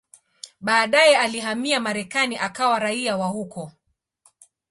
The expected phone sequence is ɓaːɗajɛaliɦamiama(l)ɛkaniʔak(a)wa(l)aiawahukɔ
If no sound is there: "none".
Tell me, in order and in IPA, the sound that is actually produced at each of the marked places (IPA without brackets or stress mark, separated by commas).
ɾ, a, ɾ